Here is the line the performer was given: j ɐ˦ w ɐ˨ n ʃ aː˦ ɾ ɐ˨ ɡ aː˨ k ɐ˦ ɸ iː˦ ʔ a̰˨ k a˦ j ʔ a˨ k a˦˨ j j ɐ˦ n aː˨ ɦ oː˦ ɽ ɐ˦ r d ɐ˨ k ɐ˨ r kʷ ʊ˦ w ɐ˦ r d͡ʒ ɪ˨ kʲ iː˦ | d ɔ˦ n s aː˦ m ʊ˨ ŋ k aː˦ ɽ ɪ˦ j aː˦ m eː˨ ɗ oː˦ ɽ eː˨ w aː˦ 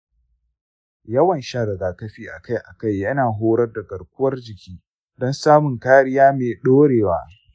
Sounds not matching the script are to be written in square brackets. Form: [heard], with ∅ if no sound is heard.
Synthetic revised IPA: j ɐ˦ w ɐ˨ n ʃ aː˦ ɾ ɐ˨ ɡ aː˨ k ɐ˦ ɸ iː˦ ʔ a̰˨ k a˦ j ʔ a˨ k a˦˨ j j ɐ˦ n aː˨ ɦ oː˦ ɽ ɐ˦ r d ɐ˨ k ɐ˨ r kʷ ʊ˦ w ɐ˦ r d͡ʒ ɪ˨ kʲ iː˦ | d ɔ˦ n s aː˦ m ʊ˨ ŋ k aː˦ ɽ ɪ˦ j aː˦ m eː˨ ɗ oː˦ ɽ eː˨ w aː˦